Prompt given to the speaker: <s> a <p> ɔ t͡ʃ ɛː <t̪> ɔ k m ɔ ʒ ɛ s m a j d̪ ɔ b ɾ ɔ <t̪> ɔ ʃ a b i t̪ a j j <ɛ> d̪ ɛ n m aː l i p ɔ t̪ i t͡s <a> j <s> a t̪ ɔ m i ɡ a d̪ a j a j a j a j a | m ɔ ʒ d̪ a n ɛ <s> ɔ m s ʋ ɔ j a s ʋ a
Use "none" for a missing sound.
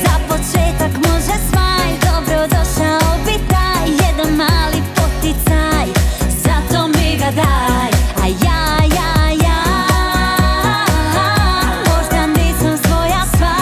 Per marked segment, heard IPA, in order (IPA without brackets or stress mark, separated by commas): z, p, t̪, d̪, ɛ, a, z, s